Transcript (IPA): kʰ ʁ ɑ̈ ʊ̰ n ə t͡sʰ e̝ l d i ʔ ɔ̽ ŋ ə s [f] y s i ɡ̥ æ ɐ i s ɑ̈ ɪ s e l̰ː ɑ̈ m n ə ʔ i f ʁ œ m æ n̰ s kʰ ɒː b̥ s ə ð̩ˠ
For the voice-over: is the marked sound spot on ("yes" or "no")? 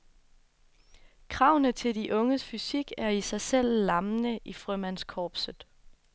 yes